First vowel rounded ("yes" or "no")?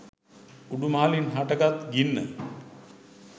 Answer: yes